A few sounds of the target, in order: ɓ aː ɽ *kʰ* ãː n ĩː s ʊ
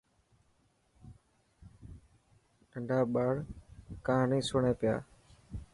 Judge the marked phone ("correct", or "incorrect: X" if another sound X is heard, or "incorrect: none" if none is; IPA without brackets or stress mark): incorrect: k